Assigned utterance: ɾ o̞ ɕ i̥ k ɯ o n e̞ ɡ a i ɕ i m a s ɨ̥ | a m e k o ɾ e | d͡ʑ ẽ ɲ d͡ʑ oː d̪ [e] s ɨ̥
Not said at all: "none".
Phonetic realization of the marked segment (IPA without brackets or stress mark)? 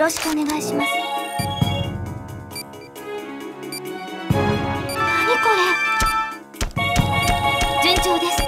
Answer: e